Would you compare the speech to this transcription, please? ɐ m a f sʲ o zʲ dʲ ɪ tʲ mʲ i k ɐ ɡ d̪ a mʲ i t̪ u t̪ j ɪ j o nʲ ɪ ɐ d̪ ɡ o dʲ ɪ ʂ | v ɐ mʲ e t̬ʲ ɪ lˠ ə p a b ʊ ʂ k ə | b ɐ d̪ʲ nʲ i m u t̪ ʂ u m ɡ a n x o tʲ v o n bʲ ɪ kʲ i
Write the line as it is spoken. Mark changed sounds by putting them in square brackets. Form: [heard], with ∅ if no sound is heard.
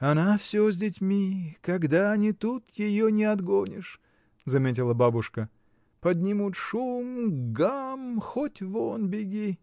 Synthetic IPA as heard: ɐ [n] a f sʲ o zʲ dʲ ɪ tʲ mʲ i k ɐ ɡ d̪ a [nʲ] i t̪ u t̪ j ɪ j o nʲ ɪ ɐ d̪ ɡ o [nʲ] ɪ ʂ | [z] ɐ mʲ e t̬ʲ ɪ lˠ ə [b] a b ʊ ʂ k ə | [p] ɐ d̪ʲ nʲ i m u t̪ ʂ u m ɡ a [m] x o tʲ v o n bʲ ɪ [ɡʲ] i